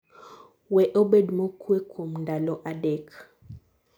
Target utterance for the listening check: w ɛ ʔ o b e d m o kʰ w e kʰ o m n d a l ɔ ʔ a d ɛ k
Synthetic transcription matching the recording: w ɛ ʔ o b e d m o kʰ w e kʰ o m n d a l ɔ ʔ a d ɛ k